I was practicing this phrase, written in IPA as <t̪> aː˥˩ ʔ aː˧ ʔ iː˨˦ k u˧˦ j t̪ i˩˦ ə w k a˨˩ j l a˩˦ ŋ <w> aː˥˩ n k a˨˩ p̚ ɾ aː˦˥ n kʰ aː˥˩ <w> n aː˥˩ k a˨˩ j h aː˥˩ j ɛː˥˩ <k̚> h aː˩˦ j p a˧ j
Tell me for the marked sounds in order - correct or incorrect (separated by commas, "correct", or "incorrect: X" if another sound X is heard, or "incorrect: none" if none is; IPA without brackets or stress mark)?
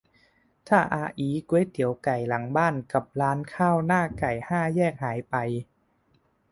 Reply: incorrect: t̪ʰ, incorrect: b, correct, correct